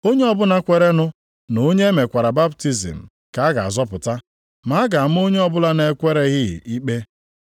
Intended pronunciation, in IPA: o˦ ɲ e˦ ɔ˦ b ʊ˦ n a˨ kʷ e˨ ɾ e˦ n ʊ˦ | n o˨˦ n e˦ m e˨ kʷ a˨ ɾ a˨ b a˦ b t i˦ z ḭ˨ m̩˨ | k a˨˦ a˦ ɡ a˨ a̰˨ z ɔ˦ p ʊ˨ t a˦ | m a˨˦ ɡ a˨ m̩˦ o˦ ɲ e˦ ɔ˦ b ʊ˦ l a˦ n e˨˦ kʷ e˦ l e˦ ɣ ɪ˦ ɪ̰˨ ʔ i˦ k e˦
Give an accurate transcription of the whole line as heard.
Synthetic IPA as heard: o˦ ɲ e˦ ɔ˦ b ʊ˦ n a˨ kʷ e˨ ɾ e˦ n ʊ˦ | n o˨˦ ɲ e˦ m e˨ kʷ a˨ ɾ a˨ b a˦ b t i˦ z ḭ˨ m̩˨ | k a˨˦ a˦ ɡ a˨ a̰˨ z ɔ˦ p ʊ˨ t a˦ | m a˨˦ ɡ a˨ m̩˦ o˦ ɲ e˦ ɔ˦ b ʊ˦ l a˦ n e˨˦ kʷ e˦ ɾ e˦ ɣ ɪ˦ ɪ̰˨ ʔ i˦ k͡p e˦